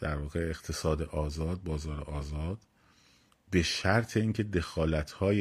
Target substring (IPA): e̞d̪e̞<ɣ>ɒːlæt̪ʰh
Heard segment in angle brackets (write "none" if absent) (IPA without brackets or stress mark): x